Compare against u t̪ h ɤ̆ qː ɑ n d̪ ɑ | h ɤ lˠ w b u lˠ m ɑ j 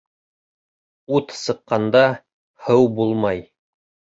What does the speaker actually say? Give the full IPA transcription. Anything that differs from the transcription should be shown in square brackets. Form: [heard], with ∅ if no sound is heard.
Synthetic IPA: u t̪ [s] ɤ̆ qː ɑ n d̪ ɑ | h ɤ [∅] w b u lˠ m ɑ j